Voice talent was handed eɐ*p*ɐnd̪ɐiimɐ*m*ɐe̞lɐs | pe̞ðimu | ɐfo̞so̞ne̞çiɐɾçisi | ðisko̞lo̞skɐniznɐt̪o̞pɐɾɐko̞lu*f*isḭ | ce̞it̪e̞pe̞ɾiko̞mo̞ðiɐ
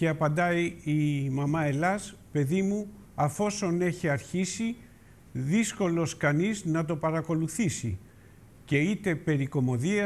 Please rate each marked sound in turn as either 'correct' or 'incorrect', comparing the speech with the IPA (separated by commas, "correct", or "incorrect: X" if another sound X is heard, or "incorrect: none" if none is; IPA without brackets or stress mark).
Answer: correct, correct, incorrect: θ